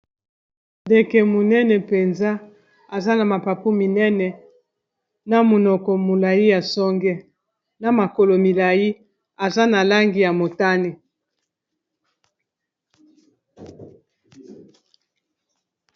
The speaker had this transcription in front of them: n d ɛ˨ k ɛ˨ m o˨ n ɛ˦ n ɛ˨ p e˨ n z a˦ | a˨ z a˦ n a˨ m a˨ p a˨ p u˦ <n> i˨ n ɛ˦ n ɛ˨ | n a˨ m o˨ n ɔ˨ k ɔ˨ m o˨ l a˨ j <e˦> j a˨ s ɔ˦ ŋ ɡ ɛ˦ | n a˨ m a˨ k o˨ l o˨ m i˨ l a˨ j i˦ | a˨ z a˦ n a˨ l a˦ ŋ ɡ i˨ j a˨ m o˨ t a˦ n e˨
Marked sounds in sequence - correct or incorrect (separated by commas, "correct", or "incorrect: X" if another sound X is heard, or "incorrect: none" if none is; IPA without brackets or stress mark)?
incorrect: m, incorrect: i˦